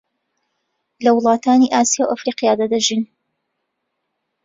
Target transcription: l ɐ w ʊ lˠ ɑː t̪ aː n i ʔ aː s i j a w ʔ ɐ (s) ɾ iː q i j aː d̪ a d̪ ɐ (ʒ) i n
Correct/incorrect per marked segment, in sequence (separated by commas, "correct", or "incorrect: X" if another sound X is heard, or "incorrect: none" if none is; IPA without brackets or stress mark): incorrect: f, correct